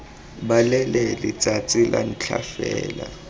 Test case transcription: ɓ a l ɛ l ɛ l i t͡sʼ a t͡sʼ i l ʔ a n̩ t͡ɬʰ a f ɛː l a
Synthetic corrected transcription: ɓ a l ɛ l ɛ l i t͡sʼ a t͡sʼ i l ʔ a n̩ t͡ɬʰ a f ɛː l a